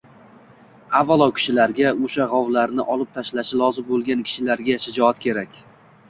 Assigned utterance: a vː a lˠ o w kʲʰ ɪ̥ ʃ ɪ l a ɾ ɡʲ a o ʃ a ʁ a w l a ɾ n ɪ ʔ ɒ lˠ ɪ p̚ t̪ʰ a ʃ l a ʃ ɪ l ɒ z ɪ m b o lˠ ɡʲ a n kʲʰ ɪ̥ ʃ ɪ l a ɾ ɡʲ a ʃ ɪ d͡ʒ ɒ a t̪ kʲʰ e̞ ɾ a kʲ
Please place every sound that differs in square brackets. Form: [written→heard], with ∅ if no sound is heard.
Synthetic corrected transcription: a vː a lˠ [o→ɒ] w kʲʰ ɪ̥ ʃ ɪ l a ɾ ɡʲ a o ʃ a ʁ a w l a ɾ n ɪ ʔ ɒ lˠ ɪ p̚ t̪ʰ a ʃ l a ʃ ɪ l ɒ z ɪ m b o lˠ ɡʲ a n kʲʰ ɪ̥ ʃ ɪ l a ɾ ɡʲ a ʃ ɪ d͡ʒ ɒ a t̪ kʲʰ e̞ ɾ a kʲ